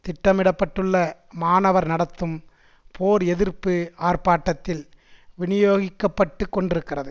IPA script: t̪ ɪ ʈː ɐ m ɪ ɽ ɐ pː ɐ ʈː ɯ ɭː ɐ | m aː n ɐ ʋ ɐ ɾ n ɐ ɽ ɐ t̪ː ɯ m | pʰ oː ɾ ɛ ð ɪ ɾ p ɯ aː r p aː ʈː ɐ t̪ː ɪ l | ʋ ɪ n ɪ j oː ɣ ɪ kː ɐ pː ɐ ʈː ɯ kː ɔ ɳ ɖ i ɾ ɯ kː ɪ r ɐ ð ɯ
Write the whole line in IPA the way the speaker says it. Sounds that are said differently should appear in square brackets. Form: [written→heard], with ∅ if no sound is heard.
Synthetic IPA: t̪ ɪ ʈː ɐ m ɪ ɽ ɐ pː ɐ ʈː ɯ ɭː ɐ | m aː n ɐ ʋ ɐ ɾ n ɐ ɽ ɐ t̪ː ɯ m | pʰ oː ɾ ɛ ð ɪ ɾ p ɯ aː r p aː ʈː ɐ t̪ː ɪ l | ʋ ɪ n ɪ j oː ɣ ɪ kː ɐ pː ɐ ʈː ɯ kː ɔ ɳ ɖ [i→ɪ] ɾ ɯ kː ɪ r ɐ ð ɯ

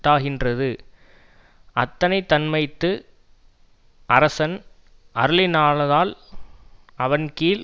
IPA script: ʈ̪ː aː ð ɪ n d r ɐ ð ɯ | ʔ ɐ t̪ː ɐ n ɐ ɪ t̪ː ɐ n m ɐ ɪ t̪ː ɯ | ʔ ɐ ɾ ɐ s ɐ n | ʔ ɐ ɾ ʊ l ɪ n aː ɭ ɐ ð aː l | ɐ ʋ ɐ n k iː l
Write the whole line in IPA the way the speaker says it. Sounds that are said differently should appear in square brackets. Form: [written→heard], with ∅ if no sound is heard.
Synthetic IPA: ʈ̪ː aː [ð→ɣ] ɪ n d r ɐ ð ɯ | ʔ ɐ t̪ː ɐ n ɐ ɪ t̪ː ɐ n m ɐ ɪ t̪ː ɯ | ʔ ɐ ɾ ɐ s ɐ n | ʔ ɐ ɾ [ʊ→ɯ] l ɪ n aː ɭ ɐ ð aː l | ɐ ʋ ɐ n k iː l

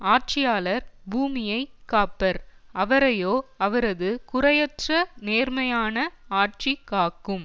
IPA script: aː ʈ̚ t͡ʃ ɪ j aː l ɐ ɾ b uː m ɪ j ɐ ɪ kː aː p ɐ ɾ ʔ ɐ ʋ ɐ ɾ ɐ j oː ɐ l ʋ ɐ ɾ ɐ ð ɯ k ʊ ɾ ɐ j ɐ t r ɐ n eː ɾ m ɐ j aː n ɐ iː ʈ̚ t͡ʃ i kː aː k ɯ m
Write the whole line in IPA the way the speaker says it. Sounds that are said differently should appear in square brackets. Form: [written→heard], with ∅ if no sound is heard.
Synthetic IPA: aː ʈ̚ t͡ʃ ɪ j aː l ɐ ɾ b uː m ɪ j ɐ ɪ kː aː p ɐ ɾ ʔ ɐ ʋ ɐ ɾ ɐ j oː ɐ [l→∅] ʋ ɐ ɾ ɐ ð ɯ k ʊ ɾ ɐ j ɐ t r ɐ n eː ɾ m ɐ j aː n ɐ [iː→aː] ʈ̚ t͡ʃ i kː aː k ɯ m

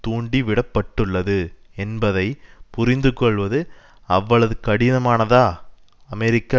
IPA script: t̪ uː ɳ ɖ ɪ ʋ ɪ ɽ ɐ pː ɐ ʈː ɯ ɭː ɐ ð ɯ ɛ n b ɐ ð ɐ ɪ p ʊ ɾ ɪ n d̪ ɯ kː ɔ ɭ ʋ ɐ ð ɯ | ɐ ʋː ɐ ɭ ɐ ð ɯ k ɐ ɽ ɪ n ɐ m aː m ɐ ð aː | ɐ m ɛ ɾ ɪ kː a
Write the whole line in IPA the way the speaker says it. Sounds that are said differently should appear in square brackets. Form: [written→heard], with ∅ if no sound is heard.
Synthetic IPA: t̪ uː ɳ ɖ [ɪ→i] ʋ ɪ ɽ ɐ pː ɐ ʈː ɯ ɭː ɐ ð ɯ ɛ n b ɐ ð ɐ ɪ p ʊ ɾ ɪ n d̪ ɯ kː ɔ ɭ ʋ ɐ ð ɯ | ɐ ʋː ɐ ɭ ɐ ð ɯ k ɐ ɽ ɪ n ɐ m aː [m→n] ɐ ð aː | ɐ m ɛ ɾ ɪ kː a

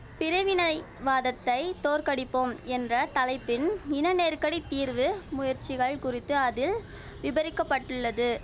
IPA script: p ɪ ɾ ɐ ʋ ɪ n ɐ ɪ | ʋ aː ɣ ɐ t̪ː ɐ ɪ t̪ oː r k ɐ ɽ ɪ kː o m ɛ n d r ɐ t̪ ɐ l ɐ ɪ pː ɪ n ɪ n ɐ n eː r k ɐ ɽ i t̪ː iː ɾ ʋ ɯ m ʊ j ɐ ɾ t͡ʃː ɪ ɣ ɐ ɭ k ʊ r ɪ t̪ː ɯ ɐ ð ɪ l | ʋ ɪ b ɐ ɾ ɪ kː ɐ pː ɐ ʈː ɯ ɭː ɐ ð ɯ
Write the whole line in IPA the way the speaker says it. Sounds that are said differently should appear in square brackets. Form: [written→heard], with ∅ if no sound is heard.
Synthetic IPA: p ɪ ɾ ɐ ʋ ɪ n ɐ ɪ | ʋ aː [ɣ→ð] ɐ t̪ː ɐ ɪ t̪ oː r k ɐ ɽ ɪ [kː→pː] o m ɛ n d r ɐ t̪ ɐ l ɐ ɪ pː ɪ n ɪ n ɐ n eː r k ɐ ɽ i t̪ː iː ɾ ʋ ɯ m ʊ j ɐ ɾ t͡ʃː ɪ ɣ ɐ ɭ k ʊ r ɪ t̪ː ɯ ɐ ð ɪ l | ʋ ɪ b ɐ ɾ ɪ kː ɐ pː ɐ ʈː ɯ ɭː ɐ ð ɯ

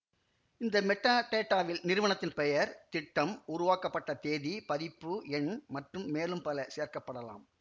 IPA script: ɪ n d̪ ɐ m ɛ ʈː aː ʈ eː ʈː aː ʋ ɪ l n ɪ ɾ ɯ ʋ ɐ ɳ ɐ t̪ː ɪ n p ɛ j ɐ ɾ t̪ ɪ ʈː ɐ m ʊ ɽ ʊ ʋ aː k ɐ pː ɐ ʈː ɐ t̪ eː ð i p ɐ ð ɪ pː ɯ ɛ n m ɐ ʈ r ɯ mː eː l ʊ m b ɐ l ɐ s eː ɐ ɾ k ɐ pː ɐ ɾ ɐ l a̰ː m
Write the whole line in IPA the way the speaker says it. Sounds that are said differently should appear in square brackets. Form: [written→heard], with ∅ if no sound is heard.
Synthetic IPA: ɪ n d̪ ɐ m ɛ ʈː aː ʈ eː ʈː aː ʋ ɪ l n ɪ ɾ ɯ ʋ ɐ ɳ ɐ t̪ː ɪ n p ɛ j ɐ ɾ t̪ ɪ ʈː ɐ m ʊ [ɽ→ɾ] ʊ ʋ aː k ɐ pː ɐ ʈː ɐ t̪ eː ð i p ɐ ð ɪ pː ɯ ɛ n m ɐ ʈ r ɯ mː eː l [ʊ→ɯ] m [b→p] ɐ l ɐ s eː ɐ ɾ k ɐ pː ɐ [ɾ→ɽ] ɐ l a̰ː m

